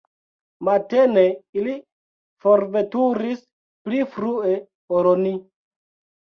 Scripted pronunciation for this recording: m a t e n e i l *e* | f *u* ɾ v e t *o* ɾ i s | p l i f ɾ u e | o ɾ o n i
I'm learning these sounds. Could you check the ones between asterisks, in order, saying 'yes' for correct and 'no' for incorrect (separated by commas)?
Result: no, no, no